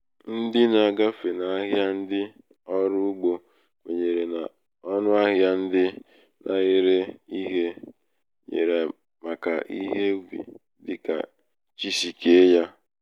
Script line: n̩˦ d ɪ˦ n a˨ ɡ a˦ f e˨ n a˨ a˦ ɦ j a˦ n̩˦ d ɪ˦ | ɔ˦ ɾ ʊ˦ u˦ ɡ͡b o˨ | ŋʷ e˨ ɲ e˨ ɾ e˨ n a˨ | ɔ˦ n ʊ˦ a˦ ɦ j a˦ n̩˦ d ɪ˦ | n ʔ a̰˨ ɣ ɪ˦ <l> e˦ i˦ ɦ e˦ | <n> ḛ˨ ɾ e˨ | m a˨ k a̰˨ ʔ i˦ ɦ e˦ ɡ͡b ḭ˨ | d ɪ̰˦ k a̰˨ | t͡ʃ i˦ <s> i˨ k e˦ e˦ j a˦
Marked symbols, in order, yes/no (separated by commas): no, no, yes